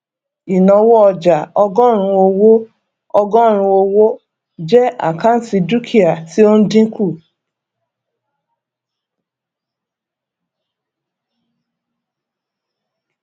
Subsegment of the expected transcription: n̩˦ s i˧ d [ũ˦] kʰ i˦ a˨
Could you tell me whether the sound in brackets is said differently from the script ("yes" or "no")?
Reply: yes